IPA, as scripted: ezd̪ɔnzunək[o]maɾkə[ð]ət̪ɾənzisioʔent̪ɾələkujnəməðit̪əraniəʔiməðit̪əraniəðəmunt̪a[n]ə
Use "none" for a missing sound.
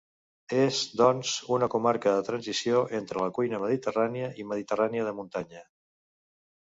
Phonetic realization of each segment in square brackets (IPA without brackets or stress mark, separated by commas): u, ð, ɲ